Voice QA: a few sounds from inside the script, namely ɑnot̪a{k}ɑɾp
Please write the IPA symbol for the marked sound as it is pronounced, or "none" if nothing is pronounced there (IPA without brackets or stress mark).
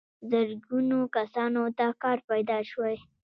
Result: k